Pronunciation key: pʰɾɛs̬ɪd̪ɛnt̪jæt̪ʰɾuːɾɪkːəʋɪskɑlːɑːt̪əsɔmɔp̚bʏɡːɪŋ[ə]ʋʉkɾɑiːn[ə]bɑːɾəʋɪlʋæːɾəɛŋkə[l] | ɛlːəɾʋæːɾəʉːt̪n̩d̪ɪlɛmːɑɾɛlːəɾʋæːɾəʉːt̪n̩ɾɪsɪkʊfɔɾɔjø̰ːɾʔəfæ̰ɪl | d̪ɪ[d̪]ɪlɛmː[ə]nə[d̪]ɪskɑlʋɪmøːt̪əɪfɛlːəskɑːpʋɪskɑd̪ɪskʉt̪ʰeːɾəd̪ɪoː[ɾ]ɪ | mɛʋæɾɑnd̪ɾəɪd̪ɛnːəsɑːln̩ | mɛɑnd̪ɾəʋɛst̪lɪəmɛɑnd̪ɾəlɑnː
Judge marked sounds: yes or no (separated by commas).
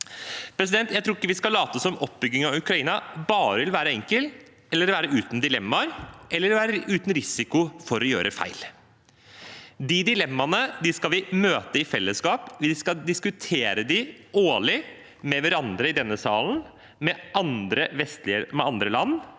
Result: no, no, yes, yes, no, yes, no